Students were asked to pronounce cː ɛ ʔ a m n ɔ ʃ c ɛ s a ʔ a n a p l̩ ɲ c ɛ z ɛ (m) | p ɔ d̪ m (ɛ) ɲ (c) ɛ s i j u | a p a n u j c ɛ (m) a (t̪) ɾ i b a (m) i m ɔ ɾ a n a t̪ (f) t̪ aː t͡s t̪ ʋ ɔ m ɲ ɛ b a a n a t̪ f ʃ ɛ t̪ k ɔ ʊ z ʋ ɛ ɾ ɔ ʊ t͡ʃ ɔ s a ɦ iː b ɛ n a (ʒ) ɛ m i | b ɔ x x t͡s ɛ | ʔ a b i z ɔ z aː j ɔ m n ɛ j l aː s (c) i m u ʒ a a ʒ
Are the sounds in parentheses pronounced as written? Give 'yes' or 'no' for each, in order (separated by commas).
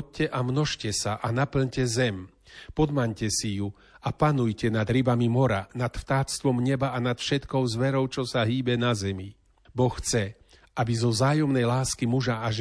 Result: yes, no, yes, no, no, yes, yes, no, no